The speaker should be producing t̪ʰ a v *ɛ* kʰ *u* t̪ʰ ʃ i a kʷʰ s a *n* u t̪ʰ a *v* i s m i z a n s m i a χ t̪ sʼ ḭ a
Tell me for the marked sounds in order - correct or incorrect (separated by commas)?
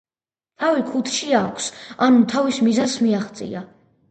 incorrect, correct, correct, correct